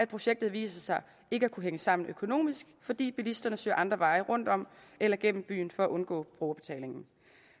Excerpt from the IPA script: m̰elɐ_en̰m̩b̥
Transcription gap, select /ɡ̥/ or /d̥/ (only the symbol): ɡ̥